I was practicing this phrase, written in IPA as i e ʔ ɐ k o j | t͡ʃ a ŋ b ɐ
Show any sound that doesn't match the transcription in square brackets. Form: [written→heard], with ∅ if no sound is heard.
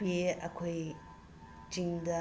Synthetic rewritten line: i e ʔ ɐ [k→kʰ] o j | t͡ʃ [a→i] ŋ [b→d] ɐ

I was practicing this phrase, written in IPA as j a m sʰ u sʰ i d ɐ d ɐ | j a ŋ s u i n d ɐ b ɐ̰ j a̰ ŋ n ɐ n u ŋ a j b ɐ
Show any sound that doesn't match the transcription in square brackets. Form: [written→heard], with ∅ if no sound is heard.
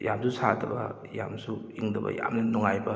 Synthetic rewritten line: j a m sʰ u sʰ [i→a] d ɐ [d→b] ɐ | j a [ŋ→m] s u i [n→ŋ] d ɐ b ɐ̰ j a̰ [ŋ→m] n ɐ n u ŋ a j b ɐ

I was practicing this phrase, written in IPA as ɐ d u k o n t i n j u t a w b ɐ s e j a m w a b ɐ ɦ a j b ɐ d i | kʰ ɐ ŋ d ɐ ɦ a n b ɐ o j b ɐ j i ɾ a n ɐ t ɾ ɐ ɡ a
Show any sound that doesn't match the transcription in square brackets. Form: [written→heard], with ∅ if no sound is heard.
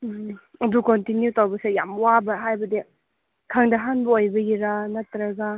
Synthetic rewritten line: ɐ d u k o n t i n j u t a w b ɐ s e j a m w a b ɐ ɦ a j b ɐ d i | kʰ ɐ ŋ d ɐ ɦ a n b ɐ o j b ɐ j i ɾ a n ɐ t ɾ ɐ ɡ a

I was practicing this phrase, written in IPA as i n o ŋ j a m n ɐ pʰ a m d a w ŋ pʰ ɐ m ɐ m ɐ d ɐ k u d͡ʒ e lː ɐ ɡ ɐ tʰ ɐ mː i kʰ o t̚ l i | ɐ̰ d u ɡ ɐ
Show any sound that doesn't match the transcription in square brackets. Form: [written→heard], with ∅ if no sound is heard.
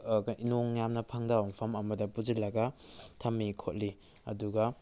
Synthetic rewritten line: i n o ŋ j a m n ɐ pʰ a [m→ŋ] d a w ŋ pʰ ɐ m ɐ m ɐ d ɐ [k→p] u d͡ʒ [e→i] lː ɐ ɡ ɐ tʰ ɐ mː i kʰ o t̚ l i | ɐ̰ d u ɡ ɐ

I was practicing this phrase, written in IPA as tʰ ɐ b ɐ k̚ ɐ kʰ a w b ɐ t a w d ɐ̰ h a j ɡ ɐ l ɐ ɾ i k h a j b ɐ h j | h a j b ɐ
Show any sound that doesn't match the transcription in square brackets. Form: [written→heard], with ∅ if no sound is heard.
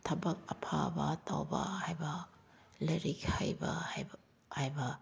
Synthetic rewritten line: tʰ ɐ b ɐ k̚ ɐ [kʰ→pʰ] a [w→∅] b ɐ t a w [d→b] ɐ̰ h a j [ɡ→b] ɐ l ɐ ɾ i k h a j b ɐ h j | h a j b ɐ

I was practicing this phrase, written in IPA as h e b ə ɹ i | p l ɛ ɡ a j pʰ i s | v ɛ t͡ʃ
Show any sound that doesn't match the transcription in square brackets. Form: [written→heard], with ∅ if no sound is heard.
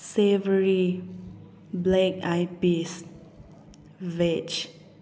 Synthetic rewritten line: [h→s] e [b→v] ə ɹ i | [p→b] l ɛ [ɡ→k] a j [pʰ→p] i s | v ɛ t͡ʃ

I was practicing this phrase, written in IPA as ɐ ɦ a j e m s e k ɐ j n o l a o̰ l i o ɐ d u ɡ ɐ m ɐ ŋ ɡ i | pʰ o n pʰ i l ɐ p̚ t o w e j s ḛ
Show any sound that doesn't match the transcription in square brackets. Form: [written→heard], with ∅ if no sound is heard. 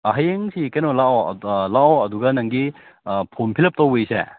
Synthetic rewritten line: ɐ ɦ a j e [m→ŋ] s [e→i] k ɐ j n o l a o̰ l [i→a] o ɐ d u ɡ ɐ [m→n] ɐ ŋ ɡ i | pʰ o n pʰ i l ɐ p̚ t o w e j s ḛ

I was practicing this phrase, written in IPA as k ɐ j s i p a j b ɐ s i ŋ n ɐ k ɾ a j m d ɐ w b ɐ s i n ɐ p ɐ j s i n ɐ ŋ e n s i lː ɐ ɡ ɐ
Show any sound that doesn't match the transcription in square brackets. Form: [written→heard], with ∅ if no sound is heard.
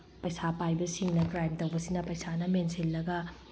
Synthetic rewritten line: [k→p] ɐ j s [i→a] p a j b ɐ s i ŋ n ɐ k ɾ a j m [d→t] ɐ w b ɐ s i n ɐ p ɐ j s [i→a] n ɐ [ŋ→m] e n s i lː ɐ ɡ ɐ

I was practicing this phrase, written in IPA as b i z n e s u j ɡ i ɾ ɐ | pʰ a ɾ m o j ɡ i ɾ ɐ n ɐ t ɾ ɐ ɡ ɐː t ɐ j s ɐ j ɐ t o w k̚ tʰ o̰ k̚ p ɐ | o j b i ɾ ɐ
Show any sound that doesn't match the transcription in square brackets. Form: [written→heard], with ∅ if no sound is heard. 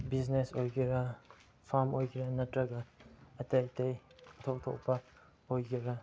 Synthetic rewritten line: b i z n e s [u→o] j ɡ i ɾ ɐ | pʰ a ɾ m o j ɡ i ɾ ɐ n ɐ t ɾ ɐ ɡ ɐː t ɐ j [s→t] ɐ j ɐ [t→tʰ] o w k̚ tʰ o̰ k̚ p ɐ | o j [b→ɡ] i ɾ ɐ

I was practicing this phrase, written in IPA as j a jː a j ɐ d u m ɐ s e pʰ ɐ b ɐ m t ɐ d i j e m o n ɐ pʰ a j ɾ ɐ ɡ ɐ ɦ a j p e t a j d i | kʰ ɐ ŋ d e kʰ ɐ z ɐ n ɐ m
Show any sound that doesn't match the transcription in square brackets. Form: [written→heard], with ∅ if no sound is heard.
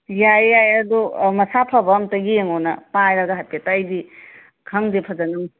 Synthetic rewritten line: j a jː a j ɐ d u m ɐ s [e→a] pʰ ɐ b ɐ m t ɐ [d→ɡ] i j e [m→ŋ] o n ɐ [pʰ→p] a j ɾ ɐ ɡ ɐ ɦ a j p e t a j d i | kʰ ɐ ŋ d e [kʰ→pʰ] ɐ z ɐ n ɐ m

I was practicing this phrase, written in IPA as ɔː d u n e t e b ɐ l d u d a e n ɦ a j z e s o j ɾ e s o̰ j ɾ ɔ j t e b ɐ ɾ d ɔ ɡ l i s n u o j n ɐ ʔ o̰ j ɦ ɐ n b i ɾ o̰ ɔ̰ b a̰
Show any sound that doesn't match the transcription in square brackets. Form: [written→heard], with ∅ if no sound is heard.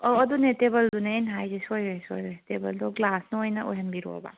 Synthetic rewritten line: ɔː d u n e t e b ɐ l d u [d→n] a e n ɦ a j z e s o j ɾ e s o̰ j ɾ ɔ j t e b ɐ [ɾ→l] d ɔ ɡ l [i→a] s n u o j n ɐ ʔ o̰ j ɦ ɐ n b i ɾ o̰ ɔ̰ b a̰

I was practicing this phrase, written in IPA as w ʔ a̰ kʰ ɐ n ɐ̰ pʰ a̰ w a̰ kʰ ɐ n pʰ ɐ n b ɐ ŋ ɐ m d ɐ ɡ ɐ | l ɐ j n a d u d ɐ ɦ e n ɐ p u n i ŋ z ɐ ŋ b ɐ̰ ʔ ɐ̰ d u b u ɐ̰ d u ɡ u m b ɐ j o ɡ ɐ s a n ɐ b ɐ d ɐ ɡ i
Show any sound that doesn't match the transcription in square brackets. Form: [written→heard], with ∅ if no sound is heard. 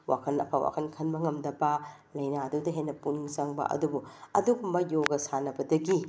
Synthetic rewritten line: w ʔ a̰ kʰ ɐ n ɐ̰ pʰ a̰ w a̰ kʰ ɐ n [pʰ→kʰ] ɐ n b ɐ ŋ ɐ m d ɐ [ɡ→b] ɐ | l ɐ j n a d u d ɐ ɦ e n ɐ p u n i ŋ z ɐ ŋ b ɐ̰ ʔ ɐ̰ d u b u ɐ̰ d u ɡ u m b ɐ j o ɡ ɐ s a n ɐ b ɐ d ɐ ɡ i

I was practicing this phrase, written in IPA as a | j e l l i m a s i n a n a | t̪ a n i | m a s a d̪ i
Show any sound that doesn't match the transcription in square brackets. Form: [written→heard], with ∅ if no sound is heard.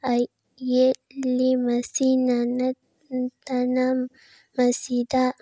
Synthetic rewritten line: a | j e l l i m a s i n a n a | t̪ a n [i→a] | m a s [a→i] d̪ [i→a]

